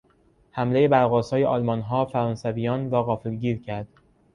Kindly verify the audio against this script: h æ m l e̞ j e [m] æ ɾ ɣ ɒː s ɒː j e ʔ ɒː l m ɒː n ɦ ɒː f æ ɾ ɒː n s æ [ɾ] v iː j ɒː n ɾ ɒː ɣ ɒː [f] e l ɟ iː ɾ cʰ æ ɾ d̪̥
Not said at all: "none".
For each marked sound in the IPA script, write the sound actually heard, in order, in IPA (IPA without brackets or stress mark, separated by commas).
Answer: b, none, f